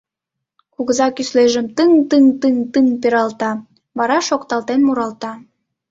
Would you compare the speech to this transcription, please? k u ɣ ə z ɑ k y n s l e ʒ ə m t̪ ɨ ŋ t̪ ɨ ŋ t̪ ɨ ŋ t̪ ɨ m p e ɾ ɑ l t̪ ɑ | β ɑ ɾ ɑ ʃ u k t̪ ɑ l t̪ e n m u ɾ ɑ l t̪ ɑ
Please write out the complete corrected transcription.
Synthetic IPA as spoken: k u ɣ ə z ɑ k y s l e ʒ ə m t̪ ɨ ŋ t̪ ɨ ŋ t̪ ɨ ŋ t̪ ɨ ŋ p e ɾ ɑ l t̪ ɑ | β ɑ ɾ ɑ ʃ o k t̪ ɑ l t̪ e n m u ɾ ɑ l t̪ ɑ